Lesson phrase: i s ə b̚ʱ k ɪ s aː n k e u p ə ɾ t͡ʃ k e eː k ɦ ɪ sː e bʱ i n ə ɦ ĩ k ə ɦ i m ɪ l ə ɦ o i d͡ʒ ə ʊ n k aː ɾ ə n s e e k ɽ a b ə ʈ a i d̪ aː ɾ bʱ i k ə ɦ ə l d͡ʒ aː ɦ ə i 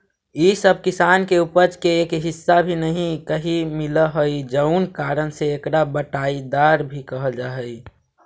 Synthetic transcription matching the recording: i s ə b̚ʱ k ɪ s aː n k e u p ə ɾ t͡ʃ k e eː k ɦ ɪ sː a bʱ i n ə ɦ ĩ k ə ɦ i m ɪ l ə ɦ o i d͡ʒ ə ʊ n k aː ɾ ə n s e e k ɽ a b ə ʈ a i d̪ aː ɾ bʱ i k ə ɦ ə l d͡ʒ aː ɦ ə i